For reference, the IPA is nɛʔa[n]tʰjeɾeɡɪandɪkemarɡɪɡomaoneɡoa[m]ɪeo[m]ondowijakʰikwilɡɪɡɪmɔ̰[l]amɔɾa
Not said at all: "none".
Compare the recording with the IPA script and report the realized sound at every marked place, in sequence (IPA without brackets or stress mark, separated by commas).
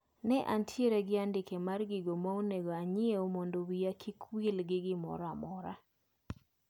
n, ɲ, m, ɾ